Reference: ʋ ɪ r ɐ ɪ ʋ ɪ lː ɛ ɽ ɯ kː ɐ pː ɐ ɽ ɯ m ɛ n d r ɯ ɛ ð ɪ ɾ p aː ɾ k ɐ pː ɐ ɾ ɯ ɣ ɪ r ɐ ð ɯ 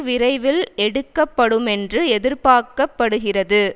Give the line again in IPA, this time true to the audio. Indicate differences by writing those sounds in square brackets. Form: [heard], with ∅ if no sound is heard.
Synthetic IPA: ʋ ɪ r ɐ ɪ ʋ ɪ [l] ɛ ɽ ɯ kː ɐ pː ɐ ɽ ɯ m ɛ n d r ɯ ɛ ð ɪ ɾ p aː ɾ k ɐ pː ɐ [ɽ] ɯ ɣ ɪ r ɐ ð ɯ